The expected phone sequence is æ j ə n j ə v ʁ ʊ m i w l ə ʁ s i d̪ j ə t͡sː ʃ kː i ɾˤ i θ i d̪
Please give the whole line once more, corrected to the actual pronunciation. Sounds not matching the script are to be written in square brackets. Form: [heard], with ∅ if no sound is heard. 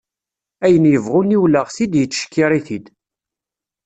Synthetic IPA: æ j ə n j ə v ʁ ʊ [n] i w l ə ʁ s i d̪ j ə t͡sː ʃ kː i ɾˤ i θ i d̪